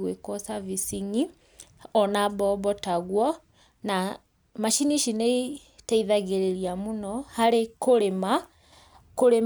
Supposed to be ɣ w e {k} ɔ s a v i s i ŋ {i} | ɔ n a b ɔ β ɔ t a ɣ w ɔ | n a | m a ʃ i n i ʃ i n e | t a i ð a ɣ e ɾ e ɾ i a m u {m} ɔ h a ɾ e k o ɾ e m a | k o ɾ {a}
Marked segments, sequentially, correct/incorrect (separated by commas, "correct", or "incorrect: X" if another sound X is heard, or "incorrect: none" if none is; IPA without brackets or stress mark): correct, correct, incorrect: n, incorrect: e